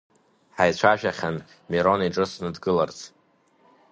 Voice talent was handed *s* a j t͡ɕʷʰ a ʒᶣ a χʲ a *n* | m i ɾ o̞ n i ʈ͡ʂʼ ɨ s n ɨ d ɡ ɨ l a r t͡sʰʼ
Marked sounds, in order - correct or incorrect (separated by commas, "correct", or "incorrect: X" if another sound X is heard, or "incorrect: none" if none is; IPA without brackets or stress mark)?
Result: incorrect: ħ, correct